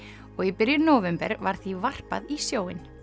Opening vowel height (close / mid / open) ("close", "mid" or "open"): mid